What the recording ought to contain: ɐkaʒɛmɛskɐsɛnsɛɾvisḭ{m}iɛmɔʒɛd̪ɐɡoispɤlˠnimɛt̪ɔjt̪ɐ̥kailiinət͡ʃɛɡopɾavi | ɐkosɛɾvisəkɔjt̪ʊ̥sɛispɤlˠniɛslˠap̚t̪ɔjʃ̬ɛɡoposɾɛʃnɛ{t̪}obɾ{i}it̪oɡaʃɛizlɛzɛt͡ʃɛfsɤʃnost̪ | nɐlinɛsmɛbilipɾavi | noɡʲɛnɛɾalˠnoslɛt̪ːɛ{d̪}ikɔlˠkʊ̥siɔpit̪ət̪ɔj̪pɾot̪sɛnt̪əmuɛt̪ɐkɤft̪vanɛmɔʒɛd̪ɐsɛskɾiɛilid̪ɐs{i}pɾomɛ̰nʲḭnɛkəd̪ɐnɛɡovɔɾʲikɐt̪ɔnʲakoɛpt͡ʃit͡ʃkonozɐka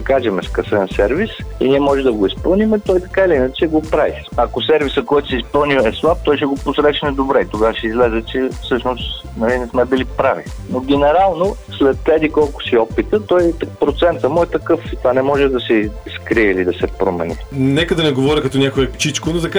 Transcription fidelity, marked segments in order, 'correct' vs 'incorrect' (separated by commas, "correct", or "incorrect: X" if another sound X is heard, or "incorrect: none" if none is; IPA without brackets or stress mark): incorrect: n, incorrect: d̪, incorrect: ɛ, correct, incorrect: ɛ